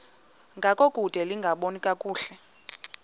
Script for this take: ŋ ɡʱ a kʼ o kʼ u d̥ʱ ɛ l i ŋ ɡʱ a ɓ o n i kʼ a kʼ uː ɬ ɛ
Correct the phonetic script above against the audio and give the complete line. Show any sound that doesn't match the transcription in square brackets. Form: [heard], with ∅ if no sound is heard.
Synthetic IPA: ŋ ɡʱ a kʼ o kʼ u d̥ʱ ɛ l i ŋ ɡʱ a ɓ o n i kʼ a kʼ uː ɬ ɛ